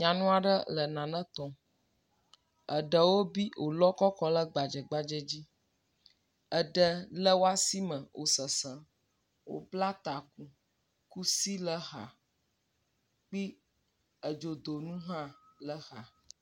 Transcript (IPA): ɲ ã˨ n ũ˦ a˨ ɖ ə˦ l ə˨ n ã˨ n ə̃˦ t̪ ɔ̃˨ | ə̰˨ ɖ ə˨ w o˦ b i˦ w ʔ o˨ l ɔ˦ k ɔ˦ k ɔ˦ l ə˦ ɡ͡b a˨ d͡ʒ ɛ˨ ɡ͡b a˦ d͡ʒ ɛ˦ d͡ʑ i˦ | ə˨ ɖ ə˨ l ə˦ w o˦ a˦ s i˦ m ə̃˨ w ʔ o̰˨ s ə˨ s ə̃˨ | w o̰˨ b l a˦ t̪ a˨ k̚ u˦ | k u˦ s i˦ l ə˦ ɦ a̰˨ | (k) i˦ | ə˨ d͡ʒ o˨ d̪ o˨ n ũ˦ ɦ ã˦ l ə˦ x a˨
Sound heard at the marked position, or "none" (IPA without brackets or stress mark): k͡p